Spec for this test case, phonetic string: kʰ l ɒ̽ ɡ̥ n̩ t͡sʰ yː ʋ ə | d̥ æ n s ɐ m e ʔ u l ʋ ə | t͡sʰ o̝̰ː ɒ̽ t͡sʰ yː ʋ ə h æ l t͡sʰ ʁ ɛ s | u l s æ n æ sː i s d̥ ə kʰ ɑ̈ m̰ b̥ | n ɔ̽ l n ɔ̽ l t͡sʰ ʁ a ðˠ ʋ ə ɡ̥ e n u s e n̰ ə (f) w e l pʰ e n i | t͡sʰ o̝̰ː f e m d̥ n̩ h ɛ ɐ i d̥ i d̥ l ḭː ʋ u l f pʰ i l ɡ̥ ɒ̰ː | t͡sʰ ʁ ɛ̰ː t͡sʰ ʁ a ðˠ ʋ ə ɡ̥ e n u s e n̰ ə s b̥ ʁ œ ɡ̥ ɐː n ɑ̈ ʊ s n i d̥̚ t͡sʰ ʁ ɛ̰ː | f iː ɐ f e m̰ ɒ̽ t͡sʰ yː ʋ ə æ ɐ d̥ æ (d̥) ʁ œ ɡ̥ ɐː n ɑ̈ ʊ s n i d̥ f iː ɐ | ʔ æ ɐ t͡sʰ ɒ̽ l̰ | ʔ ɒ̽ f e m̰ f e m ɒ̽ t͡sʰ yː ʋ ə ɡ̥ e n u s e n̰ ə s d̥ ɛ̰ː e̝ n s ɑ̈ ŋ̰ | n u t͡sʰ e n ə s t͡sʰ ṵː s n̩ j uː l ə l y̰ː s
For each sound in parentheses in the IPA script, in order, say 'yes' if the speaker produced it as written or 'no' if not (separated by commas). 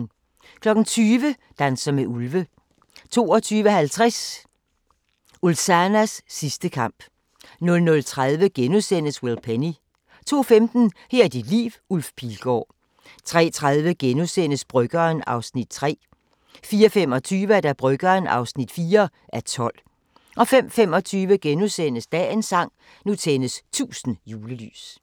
no, no